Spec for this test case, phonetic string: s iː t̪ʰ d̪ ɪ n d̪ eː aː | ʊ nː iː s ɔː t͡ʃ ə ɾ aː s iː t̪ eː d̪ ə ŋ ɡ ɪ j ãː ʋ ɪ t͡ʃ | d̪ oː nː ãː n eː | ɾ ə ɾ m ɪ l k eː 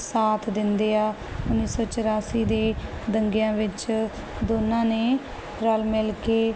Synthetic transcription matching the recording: s aː t̪ʰ d̪ ɪ n d̪ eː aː | ʊ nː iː s ɔː t͡ʃ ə ɾ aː s iː d̪ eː d̪ ə ŋ ɡ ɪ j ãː ʋ ɪ t͡ʃ | d̪ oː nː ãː n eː | ɾ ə l m ɪ l k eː